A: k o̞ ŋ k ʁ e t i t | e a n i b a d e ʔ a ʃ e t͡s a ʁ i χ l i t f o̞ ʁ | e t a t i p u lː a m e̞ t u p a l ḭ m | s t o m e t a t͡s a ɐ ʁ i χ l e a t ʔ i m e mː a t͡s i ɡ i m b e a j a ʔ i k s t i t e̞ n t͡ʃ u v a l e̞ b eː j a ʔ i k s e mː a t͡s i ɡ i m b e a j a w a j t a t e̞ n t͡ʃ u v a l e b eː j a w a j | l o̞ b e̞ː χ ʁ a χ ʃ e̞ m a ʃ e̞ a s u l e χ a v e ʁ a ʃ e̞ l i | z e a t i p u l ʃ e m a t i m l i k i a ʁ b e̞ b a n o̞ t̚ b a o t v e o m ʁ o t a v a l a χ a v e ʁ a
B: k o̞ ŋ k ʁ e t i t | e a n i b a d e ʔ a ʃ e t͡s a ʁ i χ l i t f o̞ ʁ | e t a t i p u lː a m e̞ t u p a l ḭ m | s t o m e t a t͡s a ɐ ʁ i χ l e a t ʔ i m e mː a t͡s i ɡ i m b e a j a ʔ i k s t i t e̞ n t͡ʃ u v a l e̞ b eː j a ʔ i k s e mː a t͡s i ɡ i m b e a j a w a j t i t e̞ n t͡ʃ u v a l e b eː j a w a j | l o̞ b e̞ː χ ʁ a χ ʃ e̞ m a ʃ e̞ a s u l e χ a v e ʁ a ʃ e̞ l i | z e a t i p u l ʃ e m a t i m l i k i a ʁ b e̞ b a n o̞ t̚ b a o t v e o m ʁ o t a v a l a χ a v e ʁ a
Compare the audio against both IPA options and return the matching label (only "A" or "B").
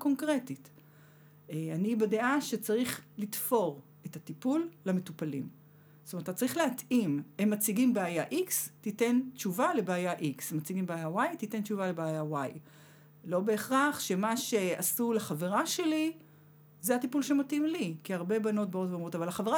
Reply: B